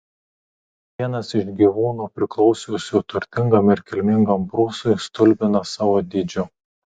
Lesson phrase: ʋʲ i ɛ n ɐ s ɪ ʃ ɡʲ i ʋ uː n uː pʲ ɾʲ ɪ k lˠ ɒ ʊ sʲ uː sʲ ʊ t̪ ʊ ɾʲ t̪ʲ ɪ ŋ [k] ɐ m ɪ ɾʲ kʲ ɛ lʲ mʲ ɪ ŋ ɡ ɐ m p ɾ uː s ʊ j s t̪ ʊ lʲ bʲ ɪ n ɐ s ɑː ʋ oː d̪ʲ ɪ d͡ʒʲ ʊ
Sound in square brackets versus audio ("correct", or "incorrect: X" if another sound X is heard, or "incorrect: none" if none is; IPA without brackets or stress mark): incorrect: ɡ